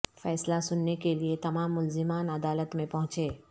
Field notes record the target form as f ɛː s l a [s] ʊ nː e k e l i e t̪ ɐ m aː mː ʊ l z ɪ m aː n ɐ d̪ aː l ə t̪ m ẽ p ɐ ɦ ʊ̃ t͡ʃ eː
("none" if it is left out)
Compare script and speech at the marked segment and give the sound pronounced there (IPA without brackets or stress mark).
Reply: s